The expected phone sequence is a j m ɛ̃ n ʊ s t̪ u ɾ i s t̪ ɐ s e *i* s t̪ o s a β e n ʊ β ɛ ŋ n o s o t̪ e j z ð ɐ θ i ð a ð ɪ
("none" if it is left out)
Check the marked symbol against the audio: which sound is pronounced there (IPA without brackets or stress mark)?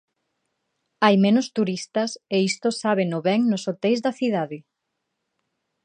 i